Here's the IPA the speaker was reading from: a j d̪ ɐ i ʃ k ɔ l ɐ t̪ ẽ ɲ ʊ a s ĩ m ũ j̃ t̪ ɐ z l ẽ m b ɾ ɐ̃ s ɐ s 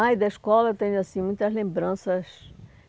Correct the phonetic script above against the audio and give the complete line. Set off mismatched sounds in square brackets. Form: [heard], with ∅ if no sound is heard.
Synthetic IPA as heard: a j d̪ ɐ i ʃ k ɔ l ɐ t̪ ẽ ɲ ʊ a s ĩ m ũ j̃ t̪ ɐ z l ẽ m b ɾ ɐ̃ s ɐ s